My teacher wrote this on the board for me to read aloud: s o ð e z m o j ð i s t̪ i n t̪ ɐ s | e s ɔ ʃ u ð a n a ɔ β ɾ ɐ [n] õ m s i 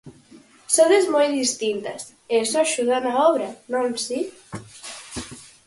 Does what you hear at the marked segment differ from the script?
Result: no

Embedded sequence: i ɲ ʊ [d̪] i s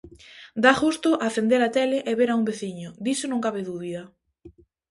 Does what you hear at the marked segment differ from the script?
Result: no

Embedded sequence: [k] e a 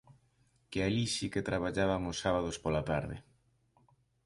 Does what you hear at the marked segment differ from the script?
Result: no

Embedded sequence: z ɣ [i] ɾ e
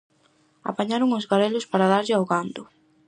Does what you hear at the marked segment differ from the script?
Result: yes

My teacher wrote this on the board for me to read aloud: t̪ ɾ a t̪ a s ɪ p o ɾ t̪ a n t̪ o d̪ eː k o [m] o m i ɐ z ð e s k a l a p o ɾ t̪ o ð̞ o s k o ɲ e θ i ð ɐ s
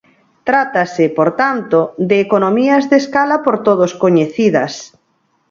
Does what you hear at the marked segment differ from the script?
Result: yes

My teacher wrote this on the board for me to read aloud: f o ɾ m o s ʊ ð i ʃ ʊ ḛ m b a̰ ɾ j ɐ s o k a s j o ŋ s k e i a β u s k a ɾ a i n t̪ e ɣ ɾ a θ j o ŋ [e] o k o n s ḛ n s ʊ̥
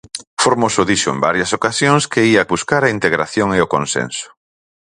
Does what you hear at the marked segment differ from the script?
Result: no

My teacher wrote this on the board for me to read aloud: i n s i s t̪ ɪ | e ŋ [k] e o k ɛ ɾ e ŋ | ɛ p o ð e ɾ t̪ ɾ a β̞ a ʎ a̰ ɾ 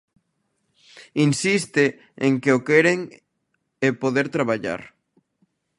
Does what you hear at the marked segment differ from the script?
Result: no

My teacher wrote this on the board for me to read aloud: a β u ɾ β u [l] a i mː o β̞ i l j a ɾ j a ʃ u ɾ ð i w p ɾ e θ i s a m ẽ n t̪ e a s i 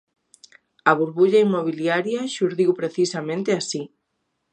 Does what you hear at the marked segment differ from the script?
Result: yes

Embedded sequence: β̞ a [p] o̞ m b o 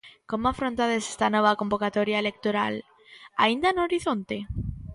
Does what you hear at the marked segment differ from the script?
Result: yes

